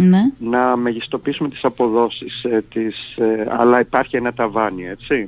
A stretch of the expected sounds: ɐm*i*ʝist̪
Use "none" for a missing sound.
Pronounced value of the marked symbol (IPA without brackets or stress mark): e